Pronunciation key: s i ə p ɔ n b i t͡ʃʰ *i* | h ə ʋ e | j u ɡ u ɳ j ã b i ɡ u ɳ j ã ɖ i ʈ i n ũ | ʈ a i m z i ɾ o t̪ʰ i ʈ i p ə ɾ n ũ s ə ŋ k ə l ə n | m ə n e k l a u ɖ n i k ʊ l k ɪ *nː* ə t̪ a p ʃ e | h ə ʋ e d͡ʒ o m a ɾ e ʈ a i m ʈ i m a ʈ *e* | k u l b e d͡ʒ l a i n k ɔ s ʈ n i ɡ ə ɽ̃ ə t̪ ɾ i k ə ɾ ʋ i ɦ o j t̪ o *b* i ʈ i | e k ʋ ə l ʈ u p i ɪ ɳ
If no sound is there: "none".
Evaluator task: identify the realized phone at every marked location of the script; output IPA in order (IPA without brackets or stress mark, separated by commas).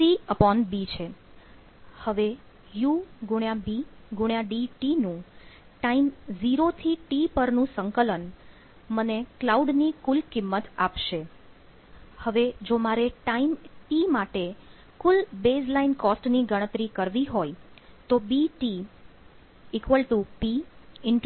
e, mː, e, b